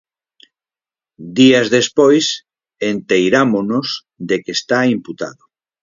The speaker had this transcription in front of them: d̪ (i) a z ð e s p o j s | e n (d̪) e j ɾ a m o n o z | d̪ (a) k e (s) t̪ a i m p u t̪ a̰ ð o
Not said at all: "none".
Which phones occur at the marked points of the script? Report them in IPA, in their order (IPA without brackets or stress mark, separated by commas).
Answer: i, t̪, e, s